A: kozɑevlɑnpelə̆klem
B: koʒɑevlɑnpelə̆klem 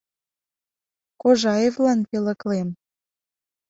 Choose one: B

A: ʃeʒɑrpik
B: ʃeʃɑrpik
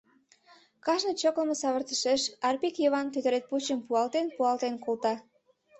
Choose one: B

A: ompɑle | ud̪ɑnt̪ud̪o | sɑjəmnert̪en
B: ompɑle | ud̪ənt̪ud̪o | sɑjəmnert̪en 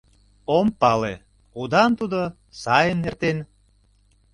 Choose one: A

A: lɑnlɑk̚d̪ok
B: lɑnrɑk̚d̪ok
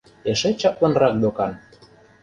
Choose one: B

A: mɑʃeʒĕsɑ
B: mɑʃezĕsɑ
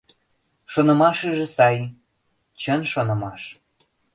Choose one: A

